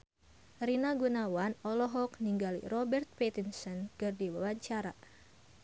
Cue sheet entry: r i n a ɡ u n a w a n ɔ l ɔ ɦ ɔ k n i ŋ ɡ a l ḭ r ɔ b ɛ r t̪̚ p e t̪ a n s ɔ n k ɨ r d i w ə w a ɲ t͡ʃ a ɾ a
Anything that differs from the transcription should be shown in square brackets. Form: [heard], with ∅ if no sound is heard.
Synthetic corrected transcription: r i n a ɡ u n a w a n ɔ l ɔ ɦ ɔ k n i ŋ ɡ a l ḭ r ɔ b ɛ r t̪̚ p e t̪ [i] n s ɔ n k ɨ r d i w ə w a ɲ t͡ʃ a ɾ a